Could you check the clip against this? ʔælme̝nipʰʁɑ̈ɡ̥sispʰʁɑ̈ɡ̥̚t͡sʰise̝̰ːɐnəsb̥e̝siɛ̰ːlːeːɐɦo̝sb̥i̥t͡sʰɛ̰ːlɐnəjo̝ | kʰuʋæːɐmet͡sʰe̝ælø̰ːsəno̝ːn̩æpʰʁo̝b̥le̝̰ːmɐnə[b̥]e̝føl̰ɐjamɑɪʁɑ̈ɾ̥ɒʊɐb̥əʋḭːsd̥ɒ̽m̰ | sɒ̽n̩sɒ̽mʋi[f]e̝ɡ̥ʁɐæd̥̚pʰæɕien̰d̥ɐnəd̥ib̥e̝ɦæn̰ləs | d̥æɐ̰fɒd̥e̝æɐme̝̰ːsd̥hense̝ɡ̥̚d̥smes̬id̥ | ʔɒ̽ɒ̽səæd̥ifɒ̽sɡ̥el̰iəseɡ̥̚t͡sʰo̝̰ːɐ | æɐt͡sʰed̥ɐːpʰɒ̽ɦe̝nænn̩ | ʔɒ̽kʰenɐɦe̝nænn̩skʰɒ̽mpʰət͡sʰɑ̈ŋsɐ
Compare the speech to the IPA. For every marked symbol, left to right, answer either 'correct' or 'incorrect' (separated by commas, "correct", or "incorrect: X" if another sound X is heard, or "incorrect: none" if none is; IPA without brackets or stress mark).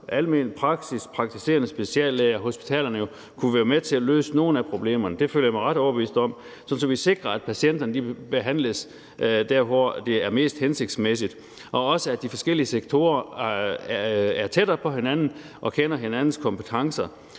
incorrect: d̥, incorrect: s